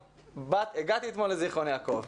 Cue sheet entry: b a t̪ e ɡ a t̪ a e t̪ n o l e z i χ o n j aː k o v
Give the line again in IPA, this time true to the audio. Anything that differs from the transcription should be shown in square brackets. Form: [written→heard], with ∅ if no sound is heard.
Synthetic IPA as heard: b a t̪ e ɡ a t̪ [a→i] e t̪ [n→m] o l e z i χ o n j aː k o v